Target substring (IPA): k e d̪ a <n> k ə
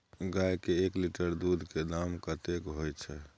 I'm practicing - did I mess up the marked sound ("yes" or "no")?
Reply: yes